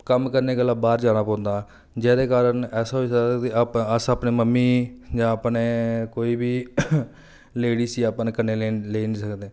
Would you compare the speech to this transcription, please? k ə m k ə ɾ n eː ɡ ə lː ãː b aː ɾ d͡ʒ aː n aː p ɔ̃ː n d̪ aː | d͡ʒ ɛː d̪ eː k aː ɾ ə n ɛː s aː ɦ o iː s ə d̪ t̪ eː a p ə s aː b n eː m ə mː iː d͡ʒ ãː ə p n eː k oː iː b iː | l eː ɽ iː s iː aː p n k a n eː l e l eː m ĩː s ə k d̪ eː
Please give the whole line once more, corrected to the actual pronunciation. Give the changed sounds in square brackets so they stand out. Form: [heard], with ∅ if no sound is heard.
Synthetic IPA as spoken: k ə m k ə ɾ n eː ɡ ə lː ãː b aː ɾ d͡ʒ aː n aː p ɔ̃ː n d̪ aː | d͡ʒ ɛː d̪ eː k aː ɾ ə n ɛː s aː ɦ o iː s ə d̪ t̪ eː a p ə s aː [p] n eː m ə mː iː d͡ʒ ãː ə p n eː k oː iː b iː | l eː ɽ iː s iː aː p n k [ə] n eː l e l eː [n] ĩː s ə k d̪ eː